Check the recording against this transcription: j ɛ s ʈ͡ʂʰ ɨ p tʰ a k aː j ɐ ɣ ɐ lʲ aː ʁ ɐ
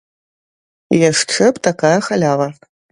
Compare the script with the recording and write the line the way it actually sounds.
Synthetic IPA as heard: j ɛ ʂ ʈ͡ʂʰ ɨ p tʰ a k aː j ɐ x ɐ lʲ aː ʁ ɐ